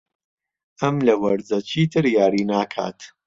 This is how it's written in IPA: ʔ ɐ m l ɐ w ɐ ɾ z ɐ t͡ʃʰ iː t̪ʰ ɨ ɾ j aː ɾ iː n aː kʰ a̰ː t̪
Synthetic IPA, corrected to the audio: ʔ ɐ m l ɐ w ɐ ɾ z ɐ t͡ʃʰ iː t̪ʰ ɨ ɾ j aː ɾ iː n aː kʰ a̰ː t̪